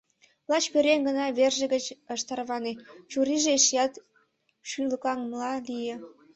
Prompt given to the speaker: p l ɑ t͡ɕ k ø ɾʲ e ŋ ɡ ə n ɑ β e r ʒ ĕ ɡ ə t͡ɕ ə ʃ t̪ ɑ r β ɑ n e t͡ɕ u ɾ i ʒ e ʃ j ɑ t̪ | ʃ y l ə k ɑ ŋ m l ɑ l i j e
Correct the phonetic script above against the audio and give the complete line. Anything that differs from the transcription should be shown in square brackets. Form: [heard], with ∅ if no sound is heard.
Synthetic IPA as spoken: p l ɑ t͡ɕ [p] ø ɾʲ e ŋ ɡ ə n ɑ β e r ʒ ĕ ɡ ə t͡ɕ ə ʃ t̪ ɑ r β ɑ n e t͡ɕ u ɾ i ʒ e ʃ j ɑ t̪ | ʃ y l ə k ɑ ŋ m l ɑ l i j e